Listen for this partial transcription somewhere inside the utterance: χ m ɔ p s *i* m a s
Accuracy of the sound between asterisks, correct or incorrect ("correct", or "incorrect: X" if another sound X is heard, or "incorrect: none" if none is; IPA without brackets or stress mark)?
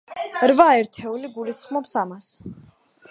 incorrect: a